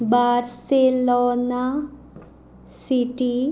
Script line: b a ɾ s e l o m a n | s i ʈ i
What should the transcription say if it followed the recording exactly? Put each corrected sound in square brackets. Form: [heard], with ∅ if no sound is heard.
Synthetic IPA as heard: b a ɾ s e l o [n] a [∅] | s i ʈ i